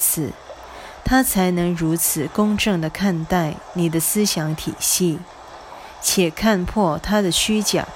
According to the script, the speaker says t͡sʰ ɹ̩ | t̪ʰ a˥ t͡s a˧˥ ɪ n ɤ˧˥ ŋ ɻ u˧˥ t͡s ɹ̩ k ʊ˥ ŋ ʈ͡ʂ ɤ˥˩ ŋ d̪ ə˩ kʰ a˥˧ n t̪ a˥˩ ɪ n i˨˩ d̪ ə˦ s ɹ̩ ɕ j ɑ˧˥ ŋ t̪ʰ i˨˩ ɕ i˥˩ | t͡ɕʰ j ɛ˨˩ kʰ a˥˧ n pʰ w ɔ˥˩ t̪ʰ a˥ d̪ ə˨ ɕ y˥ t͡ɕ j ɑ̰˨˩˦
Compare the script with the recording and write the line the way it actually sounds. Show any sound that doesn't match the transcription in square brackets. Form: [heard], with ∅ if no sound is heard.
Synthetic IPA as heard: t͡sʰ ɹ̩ | t̪ʰ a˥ [t͡sʰ] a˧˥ ɪ n ɤ˧˥ ŋ ɻ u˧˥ [t͡sʰ] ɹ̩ k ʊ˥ ŋ ʈ͡ʂ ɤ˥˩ ŋ d̪ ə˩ kʰ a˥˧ n t̪ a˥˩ ɪ n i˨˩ d̪ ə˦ s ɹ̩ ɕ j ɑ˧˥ ŋ t̪ʰ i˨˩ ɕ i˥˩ | t͡ɕʰ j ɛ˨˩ kʰ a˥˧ n pʰ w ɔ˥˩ t̪ʰ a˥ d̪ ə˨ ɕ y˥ t͡ɕ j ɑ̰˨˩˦